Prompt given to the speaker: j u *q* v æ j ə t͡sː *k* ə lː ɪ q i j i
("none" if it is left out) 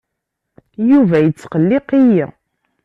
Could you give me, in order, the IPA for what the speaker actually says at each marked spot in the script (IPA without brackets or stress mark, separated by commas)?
none, q